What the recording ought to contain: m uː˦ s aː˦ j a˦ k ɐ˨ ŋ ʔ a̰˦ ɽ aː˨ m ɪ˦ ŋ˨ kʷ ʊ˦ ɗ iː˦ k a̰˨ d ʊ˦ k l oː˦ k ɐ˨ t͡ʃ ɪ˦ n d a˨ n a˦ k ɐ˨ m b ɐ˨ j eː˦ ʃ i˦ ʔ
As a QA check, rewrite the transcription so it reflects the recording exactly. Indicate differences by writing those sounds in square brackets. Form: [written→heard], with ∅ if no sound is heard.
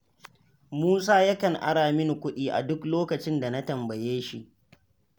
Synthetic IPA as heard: m uː˦ s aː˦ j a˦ k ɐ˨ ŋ ʔ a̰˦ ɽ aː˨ m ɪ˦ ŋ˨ kʷ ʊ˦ ɗ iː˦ [k→ʔ] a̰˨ d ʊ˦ k l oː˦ k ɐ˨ t͡ʃ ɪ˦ n d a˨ n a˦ [k→t] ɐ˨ m b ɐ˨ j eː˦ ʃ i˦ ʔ